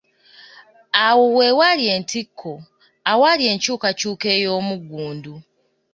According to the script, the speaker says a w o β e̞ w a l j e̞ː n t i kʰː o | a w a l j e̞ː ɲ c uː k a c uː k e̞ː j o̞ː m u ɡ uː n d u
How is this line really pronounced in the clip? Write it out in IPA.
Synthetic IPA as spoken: a w o w e̞ w a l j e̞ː n t i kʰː o | a w a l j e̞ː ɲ c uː k a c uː k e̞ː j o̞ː m u ɡ uː n d u